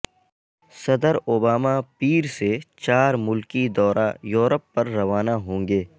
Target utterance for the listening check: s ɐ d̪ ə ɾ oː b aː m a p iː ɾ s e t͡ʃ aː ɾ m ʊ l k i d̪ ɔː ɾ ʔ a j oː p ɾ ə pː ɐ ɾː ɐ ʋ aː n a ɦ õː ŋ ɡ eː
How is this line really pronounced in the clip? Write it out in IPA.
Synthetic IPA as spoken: s ɐ d̪ ə ɾ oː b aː m a p iː ɾ s e t͡ʃ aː ɾ m ʊ l k i d̪ ɔː ɾ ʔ a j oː ɾ ə pː ɐ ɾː ɐ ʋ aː n a ɦ õː ŋ ɡ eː